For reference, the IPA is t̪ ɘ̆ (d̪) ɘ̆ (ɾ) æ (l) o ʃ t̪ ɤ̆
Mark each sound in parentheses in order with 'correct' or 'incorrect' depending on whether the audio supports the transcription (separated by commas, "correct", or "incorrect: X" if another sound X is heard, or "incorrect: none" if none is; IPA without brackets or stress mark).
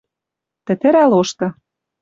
incorrect: t̪, correct, correct